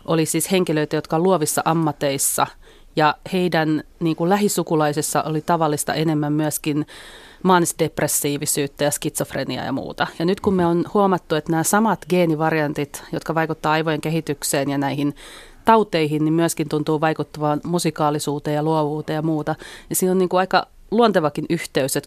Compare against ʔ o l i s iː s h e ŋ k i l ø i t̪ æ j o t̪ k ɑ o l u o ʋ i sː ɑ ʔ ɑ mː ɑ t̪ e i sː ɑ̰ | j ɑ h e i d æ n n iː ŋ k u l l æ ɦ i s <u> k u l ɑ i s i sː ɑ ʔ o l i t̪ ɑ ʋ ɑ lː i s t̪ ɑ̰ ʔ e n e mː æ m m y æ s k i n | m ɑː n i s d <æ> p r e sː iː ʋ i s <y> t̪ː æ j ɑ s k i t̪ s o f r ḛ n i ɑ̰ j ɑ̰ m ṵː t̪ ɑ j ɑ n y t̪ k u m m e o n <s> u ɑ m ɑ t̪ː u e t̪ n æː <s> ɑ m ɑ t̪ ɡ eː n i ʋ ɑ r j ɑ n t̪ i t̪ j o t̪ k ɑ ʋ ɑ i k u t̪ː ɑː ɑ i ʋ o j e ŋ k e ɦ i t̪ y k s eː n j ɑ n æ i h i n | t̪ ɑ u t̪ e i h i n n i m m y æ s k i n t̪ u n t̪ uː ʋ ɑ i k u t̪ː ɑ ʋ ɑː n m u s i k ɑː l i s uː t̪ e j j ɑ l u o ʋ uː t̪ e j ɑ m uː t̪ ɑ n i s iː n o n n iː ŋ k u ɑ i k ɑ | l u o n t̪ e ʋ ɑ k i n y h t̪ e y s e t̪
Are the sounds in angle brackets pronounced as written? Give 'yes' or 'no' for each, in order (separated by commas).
yes, no, no, no, yes